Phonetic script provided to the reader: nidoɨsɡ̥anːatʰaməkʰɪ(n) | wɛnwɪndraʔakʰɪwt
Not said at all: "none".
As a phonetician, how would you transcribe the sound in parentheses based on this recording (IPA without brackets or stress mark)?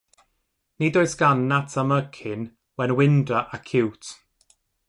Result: n